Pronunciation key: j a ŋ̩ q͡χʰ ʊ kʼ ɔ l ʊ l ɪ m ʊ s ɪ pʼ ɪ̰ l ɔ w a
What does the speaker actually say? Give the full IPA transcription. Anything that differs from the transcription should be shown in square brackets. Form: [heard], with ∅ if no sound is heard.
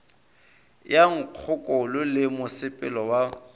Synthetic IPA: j a ŋ̩ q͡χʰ ʊ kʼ ɔ l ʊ l ɪ m ʊ s ɪ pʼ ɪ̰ l ɔ w a